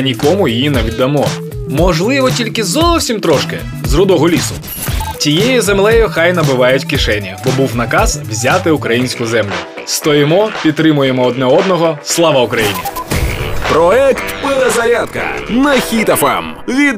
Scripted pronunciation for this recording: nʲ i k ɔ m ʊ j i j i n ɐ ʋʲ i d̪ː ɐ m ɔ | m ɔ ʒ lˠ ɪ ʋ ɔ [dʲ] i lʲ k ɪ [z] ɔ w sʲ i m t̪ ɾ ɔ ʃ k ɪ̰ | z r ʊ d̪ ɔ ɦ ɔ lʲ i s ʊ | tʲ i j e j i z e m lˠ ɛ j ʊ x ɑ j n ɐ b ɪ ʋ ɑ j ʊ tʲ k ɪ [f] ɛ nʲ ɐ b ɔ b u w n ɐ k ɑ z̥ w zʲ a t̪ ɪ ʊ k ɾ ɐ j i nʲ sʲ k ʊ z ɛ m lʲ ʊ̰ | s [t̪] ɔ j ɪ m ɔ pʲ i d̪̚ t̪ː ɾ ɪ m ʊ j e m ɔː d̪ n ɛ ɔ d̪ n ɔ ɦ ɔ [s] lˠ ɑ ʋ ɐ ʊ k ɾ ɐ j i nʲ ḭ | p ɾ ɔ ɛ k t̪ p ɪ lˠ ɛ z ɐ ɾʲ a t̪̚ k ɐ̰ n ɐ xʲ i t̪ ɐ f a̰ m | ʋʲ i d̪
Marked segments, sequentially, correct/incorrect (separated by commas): incorrect, correct, incorrect, correct, correct